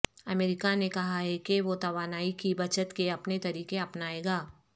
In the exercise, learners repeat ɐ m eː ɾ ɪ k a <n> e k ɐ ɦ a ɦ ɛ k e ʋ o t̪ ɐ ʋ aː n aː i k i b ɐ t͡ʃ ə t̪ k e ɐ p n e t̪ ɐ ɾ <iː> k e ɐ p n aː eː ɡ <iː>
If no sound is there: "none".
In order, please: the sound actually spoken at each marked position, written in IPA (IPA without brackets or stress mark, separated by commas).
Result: n, iː, aː